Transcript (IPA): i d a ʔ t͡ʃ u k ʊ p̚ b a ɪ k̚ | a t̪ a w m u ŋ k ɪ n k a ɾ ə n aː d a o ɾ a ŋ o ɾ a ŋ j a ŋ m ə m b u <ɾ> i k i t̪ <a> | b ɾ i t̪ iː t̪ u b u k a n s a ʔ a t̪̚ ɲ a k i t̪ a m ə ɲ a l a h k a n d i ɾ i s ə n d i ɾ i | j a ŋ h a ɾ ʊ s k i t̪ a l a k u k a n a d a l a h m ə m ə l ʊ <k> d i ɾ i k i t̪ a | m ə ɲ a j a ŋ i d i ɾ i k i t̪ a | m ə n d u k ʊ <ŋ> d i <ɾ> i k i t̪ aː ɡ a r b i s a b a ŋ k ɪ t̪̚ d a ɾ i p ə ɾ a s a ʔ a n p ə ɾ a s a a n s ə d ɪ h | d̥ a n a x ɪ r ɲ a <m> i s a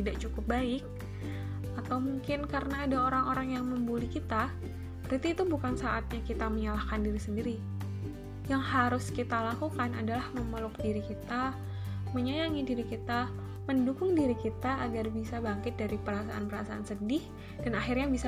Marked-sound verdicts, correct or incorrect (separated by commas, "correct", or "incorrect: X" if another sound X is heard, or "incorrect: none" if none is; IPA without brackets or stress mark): incorrect: l, correct, correct, correct, correct, incorrect: b